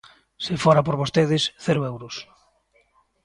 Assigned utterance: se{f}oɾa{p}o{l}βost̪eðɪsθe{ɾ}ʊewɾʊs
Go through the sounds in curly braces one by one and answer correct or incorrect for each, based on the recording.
correct, correct, incorrect: ɾ, correct

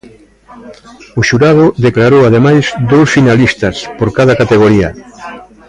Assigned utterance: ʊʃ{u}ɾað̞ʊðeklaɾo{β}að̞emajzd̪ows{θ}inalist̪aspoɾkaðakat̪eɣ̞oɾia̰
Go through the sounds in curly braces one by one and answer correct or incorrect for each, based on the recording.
correct, incorrect: w, incorrect: f

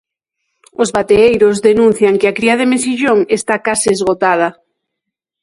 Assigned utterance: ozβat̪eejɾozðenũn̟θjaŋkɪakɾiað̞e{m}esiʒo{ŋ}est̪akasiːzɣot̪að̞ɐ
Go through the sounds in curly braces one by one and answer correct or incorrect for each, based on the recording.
correct, correct

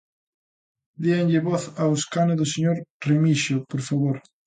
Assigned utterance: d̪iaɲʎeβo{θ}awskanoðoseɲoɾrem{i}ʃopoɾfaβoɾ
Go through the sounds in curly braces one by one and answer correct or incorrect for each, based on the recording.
correct, correct

